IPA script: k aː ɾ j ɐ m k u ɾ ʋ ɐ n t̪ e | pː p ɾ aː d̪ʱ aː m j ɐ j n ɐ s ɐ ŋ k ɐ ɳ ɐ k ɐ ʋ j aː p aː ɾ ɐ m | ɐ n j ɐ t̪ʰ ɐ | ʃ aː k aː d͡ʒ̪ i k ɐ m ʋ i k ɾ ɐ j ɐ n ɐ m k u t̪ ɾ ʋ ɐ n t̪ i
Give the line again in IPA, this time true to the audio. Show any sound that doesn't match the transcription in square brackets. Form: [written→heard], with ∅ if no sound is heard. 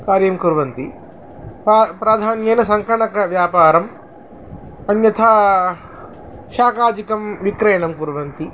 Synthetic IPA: k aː ɾ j ɐ m k u ɾ ʋ ɐ n t̪ [e→i] | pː p ɾ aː d̪ʱ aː [m→n] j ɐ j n ɐ s ɐ ŋ k ɐ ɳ ɐ k ɐ ʋ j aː p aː ɾ ɐ m | ɐ n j ɐ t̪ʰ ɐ | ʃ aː k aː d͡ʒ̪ i k ɐ m ʋ i k ɾ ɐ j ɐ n ɐ m k u [t̪→∅] ɾ ʋ ɐ n t̪ i